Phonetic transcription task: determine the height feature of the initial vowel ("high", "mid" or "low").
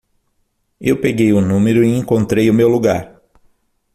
mid